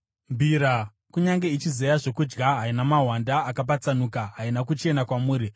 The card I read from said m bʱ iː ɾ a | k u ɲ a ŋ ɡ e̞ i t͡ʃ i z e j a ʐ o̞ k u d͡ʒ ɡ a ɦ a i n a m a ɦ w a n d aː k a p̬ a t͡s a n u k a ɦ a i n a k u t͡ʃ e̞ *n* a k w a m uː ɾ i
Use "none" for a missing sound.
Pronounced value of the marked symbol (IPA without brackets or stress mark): n